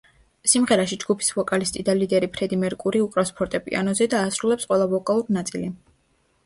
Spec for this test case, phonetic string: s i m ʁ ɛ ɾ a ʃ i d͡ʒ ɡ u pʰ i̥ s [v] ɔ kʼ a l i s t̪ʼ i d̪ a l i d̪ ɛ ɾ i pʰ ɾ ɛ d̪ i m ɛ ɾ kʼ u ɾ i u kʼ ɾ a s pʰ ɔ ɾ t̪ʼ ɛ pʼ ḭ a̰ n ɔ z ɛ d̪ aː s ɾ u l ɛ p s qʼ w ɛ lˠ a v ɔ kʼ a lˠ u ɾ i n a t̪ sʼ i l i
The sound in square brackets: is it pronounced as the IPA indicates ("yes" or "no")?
yes